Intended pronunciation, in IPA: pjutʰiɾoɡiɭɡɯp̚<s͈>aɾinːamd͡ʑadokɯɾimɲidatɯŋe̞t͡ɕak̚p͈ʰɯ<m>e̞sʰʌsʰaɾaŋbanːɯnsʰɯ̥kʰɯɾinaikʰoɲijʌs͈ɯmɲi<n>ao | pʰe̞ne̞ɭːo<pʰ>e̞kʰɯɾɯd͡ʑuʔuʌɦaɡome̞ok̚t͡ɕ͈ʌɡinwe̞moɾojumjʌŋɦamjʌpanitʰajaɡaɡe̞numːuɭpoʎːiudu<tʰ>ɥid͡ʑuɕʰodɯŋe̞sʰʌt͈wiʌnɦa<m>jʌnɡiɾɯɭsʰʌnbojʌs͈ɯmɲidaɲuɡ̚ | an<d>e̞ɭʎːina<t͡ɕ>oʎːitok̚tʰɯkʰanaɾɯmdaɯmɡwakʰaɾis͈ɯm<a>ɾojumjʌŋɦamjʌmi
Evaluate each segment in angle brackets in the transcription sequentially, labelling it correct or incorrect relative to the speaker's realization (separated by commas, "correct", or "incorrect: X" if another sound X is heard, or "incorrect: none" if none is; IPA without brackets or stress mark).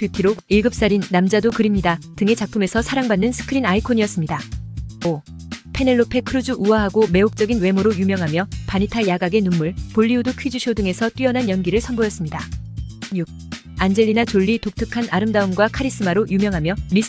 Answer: correct, correct, incorrect: d, correct, incorrect: kʰ, incorrect: n, incorrect: d͡ʑ, correct, correct